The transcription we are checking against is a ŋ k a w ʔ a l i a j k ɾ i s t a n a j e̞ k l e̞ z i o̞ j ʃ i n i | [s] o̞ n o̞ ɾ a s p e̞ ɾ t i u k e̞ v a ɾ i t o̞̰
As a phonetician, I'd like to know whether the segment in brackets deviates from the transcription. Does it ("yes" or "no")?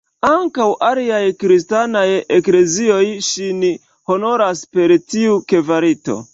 yes